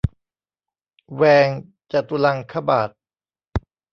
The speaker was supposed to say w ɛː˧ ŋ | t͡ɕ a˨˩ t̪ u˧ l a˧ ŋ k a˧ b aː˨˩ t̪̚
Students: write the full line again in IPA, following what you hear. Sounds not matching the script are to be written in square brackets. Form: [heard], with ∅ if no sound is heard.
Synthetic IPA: w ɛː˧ ŋ | t͡ɕ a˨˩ t̪ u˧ l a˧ ŋ [kʰ] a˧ b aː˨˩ t̪̚